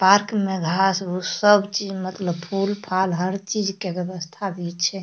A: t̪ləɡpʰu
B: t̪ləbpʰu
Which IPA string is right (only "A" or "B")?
B